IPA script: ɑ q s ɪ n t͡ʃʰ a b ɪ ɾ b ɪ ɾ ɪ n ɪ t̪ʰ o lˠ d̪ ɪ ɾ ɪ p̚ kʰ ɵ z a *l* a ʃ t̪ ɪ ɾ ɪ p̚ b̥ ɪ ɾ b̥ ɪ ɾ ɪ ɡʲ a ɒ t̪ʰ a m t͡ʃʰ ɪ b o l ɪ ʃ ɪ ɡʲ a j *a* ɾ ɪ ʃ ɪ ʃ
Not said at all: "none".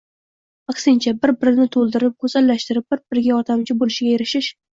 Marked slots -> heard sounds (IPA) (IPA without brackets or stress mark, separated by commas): lː, e